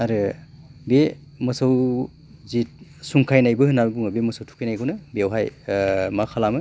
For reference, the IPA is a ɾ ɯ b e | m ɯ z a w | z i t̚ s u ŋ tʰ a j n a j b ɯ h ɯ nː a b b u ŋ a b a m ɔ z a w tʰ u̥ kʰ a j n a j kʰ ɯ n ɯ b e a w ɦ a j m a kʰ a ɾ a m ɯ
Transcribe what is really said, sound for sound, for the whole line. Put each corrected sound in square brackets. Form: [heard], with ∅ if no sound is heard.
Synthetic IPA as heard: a ɾ ɯ b e | m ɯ [s] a w | z i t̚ s u ŋ [kʰ] a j n a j b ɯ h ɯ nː a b b u ŋ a b [e] m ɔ [s] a w tʰ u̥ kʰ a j n a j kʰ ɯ n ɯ b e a w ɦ a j m a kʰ a [l] a m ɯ

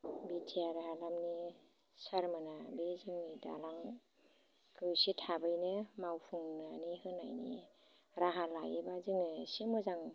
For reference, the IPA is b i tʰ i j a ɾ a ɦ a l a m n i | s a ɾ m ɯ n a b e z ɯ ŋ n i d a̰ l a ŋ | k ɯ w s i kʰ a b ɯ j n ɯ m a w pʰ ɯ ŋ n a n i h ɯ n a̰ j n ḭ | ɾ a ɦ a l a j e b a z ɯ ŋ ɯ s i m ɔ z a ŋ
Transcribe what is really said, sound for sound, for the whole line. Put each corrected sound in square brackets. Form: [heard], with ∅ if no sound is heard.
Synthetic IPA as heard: b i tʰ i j a ɾ a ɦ a l a m n i | s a ɾ m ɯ n a b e z ɯ ŋ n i d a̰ l a ŋ | k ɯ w s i [tʰ] a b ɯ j n ɯ m a w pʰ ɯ ŋ n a n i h ɯ n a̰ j n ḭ | ɾ a ɦ a l a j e b a z ɯ ŋ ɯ s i m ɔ z a ŋ

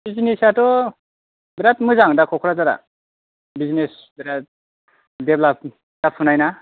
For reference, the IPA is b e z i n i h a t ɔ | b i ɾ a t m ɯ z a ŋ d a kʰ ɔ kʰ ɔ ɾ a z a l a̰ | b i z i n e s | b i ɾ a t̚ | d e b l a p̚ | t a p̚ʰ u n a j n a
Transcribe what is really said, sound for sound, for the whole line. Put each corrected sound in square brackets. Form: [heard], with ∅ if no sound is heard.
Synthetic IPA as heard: b [i] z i n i [s] a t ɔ | b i ɾ a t m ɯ z a ŋ d a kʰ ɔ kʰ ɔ ɾ a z a [ɾ] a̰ | b i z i n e s | b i ɾ a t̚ | d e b l a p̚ | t a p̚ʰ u n a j n a

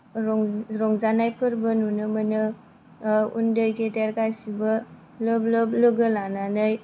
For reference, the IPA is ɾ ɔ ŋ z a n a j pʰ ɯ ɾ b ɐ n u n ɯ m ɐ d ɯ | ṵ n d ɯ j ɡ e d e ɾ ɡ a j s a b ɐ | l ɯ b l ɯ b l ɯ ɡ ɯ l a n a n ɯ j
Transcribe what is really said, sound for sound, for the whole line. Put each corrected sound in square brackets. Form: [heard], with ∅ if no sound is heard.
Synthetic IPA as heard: ɾ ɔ ŋ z a n a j pʰ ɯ ɾ b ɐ n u n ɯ m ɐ [n] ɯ | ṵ n d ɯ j ɡ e d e ɾ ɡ a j s [i] b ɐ | l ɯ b l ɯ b l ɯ ɡ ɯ l a n a n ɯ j

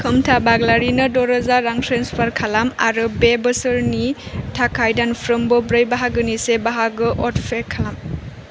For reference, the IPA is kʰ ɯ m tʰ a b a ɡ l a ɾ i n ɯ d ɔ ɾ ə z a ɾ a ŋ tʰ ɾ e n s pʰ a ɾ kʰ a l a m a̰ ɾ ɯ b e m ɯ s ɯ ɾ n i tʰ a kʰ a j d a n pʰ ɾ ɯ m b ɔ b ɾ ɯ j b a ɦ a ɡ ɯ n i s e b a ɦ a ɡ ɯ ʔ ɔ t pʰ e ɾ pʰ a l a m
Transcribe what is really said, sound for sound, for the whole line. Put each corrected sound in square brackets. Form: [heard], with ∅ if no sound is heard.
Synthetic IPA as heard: kʰ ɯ m tʰ a b a ɡ l a ɾ i n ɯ d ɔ ɾ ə z a ɾ a ŋ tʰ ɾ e n s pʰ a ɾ kʰ a l a m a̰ ɾ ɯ b e [b] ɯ s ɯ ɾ n i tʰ a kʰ a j d a n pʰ ɾ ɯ m b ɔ b ɾ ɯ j b a ɦ a ɡ ɯ n i s e b a ɦ a ɡ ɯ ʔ ɔ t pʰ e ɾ [kʰ] a l a m

